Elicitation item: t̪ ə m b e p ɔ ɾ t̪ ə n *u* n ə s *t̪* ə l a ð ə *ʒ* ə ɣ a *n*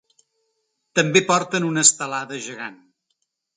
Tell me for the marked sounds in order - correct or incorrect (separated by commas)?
correct, correct, correct, correct